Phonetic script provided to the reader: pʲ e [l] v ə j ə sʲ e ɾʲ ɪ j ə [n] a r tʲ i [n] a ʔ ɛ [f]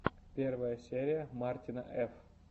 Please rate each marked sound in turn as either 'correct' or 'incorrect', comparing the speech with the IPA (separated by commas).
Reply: incorrect, incorrect, correct, correct